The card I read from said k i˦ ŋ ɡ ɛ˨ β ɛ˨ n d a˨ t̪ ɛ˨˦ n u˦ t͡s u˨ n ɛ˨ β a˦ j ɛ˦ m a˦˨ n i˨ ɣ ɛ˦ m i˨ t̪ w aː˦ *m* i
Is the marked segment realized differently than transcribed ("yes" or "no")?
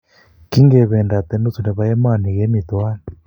yes